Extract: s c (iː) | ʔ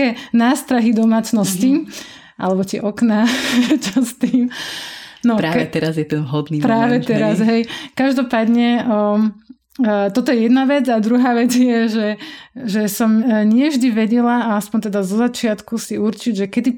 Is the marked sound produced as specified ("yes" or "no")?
no